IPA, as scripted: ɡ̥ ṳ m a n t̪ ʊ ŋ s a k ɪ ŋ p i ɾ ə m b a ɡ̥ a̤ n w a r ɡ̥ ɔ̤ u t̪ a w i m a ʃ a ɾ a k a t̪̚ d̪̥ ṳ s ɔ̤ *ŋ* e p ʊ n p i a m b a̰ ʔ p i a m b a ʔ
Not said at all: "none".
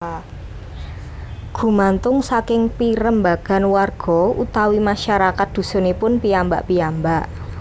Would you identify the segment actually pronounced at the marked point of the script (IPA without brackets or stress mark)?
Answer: n